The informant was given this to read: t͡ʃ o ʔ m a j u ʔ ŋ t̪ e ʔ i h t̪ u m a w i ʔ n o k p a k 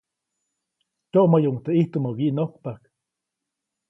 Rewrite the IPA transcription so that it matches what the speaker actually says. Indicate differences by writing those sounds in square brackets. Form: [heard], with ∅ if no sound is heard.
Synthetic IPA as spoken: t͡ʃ o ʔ m a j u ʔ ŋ t̪ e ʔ i h t̪ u m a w i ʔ n o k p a k

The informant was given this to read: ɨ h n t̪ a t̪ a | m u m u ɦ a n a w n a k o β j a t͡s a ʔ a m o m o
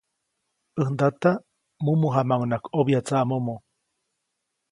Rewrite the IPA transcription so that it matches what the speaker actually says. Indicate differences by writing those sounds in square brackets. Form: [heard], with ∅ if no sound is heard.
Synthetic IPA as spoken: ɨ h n [d̪] a t̪ a | m u m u ɦ a [m] a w n a k o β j a t͡s a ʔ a m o m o

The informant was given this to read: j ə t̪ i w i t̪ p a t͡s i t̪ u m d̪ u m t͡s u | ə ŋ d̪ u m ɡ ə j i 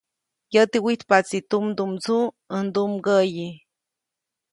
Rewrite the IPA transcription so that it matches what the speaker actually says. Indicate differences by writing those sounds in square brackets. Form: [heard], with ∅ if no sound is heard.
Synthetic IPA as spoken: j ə t̪ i w i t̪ p a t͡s i t̪ u m d̪ u m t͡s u | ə [n] d̪ u m ɡ ə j i

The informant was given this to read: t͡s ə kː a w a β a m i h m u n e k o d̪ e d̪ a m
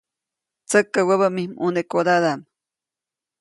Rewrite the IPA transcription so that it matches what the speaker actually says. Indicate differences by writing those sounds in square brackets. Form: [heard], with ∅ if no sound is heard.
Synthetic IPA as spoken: t͡s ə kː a w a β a m i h m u n e k o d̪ [a] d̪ a m

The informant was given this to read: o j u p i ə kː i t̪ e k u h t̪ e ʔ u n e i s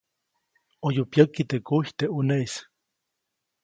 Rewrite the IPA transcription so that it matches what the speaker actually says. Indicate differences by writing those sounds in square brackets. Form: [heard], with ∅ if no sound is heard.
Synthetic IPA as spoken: o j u p [j] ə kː i t̪ e k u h t̪ e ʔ u n e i s

